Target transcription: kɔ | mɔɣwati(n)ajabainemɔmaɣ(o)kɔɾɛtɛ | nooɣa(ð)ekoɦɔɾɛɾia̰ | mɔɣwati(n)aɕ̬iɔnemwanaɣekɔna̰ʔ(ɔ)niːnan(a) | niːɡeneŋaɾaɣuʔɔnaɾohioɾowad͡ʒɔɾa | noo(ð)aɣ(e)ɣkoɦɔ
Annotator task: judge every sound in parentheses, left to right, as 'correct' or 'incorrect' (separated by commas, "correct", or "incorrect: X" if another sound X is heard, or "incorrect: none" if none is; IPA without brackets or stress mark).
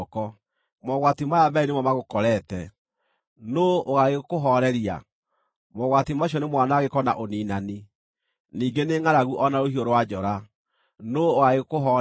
incorrect: m, correct, incorrect: ɣ, incorrect: m, incorrect: o, incorrect: i, incorrect: ɣ, correct